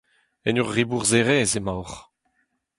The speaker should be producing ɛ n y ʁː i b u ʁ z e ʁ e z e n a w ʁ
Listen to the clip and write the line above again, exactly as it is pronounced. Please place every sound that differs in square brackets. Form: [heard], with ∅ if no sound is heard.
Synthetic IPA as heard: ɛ n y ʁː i b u ʁ z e ʁ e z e [m] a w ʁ